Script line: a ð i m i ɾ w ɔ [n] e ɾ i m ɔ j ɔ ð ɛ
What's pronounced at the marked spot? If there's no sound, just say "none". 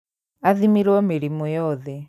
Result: m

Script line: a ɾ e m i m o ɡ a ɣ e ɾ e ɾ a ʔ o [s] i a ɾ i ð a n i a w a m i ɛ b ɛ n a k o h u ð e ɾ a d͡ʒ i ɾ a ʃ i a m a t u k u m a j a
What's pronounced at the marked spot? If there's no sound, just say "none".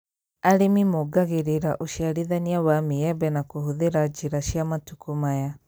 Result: ʃ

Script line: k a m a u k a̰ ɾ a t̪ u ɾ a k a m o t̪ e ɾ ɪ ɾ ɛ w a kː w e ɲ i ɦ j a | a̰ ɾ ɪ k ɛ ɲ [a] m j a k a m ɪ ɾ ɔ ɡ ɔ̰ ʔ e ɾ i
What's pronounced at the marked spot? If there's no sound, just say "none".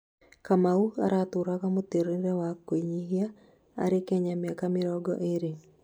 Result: a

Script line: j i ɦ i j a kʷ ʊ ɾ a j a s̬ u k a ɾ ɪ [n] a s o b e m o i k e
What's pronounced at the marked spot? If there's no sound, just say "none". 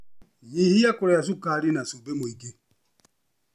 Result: n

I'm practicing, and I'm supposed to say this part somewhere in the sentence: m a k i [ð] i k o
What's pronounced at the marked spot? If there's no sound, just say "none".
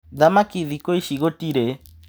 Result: ð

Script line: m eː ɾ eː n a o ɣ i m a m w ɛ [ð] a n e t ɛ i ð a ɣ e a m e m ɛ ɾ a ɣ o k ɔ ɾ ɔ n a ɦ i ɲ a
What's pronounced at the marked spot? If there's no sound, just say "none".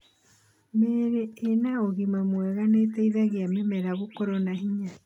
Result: ɣ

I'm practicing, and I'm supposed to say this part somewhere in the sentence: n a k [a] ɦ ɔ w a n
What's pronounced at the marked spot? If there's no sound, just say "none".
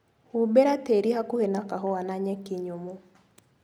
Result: a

